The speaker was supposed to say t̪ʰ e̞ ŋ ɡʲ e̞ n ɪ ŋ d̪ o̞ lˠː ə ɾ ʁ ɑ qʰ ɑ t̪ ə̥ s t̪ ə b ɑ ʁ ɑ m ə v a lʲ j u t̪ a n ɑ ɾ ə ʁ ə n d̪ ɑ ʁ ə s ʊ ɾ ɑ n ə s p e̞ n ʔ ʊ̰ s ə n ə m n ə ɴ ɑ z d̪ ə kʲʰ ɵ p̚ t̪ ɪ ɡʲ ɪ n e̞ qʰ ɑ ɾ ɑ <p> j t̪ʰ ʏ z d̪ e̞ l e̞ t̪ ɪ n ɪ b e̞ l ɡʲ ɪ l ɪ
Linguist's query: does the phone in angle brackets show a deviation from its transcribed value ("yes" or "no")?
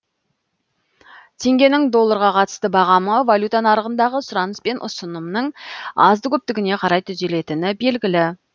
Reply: yes